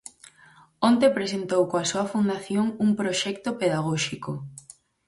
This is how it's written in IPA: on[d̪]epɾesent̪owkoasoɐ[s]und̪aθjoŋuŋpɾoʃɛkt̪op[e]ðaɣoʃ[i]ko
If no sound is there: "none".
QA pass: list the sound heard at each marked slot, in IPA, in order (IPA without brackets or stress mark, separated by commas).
t̪, f, e, i